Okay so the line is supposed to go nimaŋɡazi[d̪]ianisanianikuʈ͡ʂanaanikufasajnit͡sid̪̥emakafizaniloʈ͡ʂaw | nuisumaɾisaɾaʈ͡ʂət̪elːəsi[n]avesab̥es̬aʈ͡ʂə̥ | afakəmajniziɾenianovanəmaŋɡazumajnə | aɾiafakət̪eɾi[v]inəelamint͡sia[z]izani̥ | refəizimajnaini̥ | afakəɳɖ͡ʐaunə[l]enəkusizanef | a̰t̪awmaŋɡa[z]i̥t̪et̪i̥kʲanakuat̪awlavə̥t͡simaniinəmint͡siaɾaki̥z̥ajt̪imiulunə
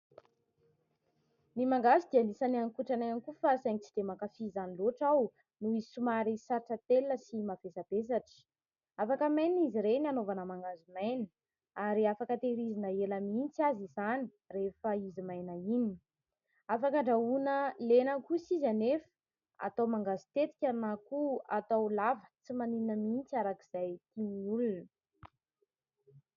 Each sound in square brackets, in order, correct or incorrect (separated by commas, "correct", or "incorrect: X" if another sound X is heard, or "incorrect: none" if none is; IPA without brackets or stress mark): correct, incorrect: m, incorrect: z, correct, correct, correct